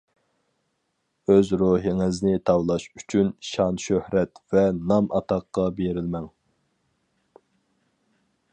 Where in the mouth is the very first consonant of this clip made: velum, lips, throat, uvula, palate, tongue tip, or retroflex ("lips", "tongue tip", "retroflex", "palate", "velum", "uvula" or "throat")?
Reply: tongue tip